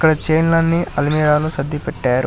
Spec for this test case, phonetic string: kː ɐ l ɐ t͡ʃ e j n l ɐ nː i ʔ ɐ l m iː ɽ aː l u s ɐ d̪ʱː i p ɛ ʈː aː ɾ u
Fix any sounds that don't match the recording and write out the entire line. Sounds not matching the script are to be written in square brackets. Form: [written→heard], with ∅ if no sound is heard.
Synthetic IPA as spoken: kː ɐ [l→ɽ] ɐ t͡ʃ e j n l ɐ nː i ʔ ɐ l m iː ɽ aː l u s ɐ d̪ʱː i p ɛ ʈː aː ɾ u